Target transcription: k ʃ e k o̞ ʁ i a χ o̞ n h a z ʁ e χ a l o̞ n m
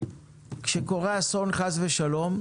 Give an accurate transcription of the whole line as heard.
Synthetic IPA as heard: k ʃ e k o̞ ʁ e a s o̞ n χ a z v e ʃ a l o̞ m